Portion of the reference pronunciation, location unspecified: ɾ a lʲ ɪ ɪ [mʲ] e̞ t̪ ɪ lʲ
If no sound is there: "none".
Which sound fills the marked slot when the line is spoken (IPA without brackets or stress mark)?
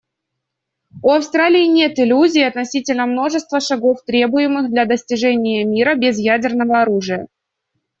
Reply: nʲ